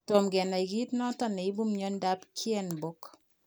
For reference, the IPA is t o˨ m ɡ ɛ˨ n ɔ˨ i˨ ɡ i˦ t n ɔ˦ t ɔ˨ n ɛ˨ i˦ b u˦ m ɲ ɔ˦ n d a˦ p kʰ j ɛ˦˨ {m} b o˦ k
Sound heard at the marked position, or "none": n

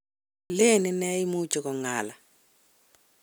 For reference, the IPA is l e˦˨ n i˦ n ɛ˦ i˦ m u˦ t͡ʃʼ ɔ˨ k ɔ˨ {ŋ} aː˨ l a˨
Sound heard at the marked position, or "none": ŋ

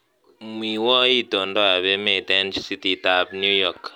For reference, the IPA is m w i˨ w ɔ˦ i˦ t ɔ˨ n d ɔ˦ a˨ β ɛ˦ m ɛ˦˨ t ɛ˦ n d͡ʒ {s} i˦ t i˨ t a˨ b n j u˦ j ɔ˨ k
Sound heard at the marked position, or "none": s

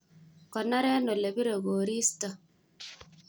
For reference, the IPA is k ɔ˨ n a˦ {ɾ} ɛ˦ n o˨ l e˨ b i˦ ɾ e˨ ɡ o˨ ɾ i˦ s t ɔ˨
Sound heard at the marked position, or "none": ɾ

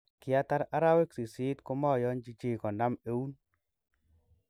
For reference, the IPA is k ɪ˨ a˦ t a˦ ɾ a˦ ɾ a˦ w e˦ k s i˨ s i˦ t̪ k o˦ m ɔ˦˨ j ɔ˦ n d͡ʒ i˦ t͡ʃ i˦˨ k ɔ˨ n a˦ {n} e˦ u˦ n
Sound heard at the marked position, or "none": m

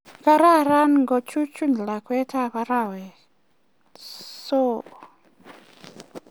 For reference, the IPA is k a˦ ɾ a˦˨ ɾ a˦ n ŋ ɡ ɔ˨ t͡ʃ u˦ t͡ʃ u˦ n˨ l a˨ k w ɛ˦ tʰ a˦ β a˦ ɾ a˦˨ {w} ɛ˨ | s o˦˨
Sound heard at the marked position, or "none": w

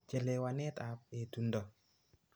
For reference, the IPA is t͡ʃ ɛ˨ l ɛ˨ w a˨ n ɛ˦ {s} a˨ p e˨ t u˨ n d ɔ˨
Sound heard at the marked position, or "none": t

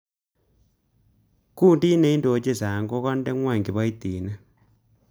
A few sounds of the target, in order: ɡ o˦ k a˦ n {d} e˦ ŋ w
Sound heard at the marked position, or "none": d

